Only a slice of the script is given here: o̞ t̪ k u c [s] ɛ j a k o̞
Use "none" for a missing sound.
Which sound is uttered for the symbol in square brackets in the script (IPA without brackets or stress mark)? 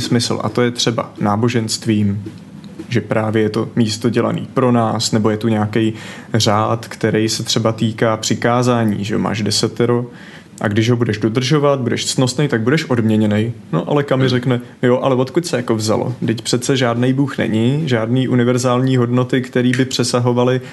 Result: s